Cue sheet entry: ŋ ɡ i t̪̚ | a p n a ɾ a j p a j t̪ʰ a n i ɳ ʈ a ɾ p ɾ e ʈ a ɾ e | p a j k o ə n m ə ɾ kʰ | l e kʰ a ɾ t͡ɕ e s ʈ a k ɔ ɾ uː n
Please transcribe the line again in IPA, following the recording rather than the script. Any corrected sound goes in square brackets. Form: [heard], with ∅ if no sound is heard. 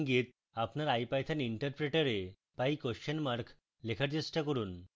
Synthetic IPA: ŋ ɡ i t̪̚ | a p n a ɾ a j p a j t̪ʰ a n i ɳ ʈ [ə] ɾ p ɾ e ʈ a ɾ e | p a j k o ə n m [a] ɾ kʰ | l e kʰ a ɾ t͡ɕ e s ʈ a k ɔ ɾ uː n